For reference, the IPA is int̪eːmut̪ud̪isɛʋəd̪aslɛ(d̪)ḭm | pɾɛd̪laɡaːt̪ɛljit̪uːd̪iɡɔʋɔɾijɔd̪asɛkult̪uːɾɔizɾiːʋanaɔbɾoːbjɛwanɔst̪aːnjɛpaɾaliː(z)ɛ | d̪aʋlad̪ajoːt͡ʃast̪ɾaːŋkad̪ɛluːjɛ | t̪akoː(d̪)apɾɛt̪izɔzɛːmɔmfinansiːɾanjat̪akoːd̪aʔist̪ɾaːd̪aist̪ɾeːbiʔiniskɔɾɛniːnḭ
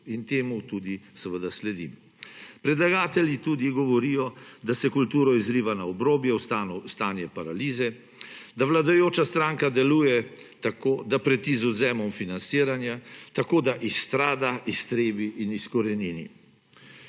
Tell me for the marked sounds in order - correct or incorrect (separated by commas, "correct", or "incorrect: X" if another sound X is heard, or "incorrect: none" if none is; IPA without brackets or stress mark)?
correct, correct, correct